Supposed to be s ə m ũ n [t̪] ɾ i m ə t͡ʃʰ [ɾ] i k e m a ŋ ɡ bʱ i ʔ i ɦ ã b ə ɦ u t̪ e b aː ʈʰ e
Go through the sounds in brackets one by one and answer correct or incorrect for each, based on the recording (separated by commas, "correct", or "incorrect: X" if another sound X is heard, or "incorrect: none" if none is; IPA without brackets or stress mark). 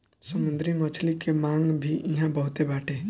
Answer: incorrect: d̪, incorrect: l